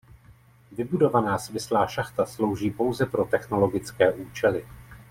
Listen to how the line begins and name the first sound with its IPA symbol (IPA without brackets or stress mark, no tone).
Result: v